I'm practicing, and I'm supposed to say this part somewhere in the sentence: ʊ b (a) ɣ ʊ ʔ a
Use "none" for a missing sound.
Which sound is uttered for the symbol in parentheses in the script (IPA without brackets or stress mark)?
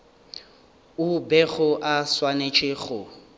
ɛ